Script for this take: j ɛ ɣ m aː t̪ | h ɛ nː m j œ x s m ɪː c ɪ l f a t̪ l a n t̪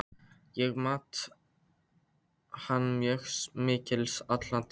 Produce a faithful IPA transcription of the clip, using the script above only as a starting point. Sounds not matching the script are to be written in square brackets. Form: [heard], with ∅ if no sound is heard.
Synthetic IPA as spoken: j ɛ ɣ m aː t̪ | h [a] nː m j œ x s m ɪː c ɪ l [s] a t̪ l a n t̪